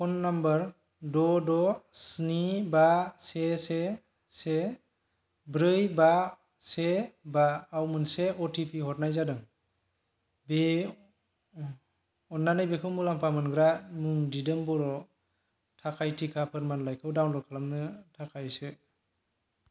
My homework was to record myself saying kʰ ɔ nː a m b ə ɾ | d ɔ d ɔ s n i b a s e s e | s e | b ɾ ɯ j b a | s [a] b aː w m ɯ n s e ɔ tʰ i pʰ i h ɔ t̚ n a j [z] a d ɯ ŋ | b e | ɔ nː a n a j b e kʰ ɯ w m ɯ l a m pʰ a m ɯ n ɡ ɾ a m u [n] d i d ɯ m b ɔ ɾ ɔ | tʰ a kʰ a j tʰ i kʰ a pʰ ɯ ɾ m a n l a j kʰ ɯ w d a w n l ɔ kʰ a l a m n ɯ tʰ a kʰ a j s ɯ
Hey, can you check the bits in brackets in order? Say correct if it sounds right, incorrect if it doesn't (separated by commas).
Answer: incorrect, correct, incorrect